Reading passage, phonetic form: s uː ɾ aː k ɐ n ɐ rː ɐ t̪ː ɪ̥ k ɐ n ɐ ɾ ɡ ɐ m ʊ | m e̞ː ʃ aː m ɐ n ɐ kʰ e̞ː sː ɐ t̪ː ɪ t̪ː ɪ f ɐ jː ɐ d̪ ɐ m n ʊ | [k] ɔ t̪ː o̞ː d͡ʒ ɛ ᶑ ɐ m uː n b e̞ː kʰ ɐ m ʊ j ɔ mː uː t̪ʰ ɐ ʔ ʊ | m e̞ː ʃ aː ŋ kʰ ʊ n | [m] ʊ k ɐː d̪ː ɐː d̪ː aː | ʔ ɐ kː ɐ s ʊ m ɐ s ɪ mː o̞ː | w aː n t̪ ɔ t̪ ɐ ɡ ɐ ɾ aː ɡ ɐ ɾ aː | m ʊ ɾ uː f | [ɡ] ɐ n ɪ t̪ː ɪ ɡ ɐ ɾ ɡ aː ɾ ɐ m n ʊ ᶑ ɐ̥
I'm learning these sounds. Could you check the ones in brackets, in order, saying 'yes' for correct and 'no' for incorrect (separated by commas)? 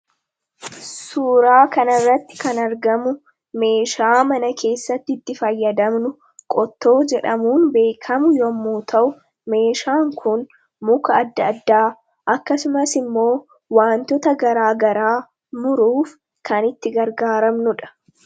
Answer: no, yes, no